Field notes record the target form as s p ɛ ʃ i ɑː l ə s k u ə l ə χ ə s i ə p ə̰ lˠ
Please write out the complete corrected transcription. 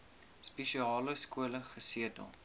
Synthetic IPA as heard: s p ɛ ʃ i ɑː l ə s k u ə l ə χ ə s i ə t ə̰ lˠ